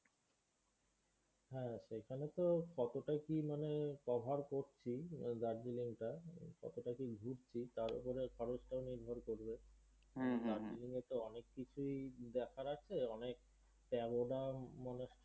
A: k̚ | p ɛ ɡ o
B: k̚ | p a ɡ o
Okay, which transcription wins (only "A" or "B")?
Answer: A